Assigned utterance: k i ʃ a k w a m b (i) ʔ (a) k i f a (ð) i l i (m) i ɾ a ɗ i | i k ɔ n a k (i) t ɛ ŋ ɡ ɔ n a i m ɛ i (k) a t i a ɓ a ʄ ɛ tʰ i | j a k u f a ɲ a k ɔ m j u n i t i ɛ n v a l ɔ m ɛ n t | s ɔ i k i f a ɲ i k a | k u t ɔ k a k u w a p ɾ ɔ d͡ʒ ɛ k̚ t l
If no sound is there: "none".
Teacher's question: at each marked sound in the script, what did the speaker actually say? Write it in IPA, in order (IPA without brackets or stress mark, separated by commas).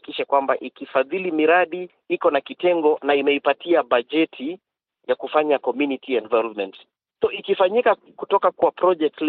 a, i, ð, m, i, p